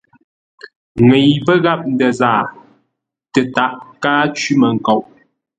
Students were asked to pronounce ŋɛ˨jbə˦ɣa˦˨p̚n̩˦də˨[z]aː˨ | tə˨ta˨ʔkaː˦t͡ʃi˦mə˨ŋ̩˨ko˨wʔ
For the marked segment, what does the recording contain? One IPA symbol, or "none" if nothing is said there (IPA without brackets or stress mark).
z